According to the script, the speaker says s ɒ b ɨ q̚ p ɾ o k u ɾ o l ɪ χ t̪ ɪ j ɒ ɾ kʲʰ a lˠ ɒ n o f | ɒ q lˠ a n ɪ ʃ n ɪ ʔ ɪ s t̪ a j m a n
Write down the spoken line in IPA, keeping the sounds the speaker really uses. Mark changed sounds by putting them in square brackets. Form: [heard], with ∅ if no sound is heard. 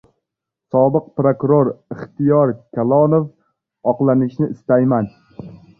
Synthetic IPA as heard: s ɒ b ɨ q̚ p ɾ o k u ɾ o [ɾ] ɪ χ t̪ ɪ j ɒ ɾ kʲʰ a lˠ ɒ n o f | ɒ q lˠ a n ɪ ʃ n ɪ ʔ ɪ s t̪ a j m a n